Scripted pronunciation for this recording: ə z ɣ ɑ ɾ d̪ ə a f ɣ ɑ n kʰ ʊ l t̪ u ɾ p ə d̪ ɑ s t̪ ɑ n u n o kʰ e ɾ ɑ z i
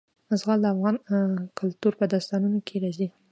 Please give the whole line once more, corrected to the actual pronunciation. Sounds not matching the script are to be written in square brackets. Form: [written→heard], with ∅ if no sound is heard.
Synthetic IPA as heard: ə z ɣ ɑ [ɾ→l] d̪ ə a f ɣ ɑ n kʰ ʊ l t̪ u ɾ p ə d̪ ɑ s t̪ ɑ n u n o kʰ e ɾ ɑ z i